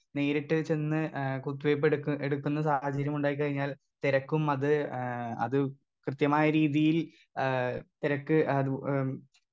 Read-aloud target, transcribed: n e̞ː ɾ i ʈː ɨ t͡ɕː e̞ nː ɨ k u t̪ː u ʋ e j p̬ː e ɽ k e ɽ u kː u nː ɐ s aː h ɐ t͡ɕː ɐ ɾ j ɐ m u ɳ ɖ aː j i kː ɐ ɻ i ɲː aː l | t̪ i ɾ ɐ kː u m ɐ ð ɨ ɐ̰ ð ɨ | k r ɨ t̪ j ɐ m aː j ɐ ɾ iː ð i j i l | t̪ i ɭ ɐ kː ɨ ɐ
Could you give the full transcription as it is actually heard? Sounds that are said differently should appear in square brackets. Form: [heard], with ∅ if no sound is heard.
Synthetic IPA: n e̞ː ɾ i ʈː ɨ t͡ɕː e̞ nː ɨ k u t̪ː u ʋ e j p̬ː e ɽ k e ɽ u kː u nː ɐ s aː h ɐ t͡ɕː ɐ ɾ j ɐ m u ɳ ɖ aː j i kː ɐ ɻ i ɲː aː l | t̪ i ɾ ɐ kː u m ɐ ð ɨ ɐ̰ ð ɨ | k r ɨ t̪ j ɐ m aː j ɐ ɾ iː ð i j i l | t̪ i [ɾ] ɐ kː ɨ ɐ